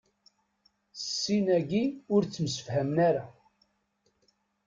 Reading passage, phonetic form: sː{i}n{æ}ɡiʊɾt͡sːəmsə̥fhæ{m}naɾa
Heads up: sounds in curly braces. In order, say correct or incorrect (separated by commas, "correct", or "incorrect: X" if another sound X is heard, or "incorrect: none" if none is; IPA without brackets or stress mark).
correct, correct, correct